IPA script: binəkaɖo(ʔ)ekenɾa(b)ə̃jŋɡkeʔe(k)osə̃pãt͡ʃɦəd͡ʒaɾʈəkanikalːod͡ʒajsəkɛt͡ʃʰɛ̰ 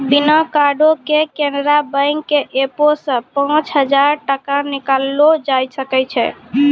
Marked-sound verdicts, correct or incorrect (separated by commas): incorrect, correct, incorrect